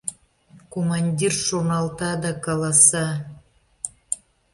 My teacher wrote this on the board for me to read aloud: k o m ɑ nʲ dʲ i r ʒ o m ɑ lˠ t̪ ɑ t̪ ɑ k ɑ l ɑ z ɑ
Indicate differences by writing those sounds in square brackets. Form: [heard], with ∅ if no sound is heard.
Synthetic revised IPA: k o m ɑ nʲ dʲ i r [ʃ] o [n] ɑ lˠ t̪ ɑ [d̪] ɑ k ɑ l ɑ [s] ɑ